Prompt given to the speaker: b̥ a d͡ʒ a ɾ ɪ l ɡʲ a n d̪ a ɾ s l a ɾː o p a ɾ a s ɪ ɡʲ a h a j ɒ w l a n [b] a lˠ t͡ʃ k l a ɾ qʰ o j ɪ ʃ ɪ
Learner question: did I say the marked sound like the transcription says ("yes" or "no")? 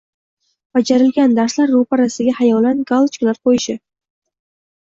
no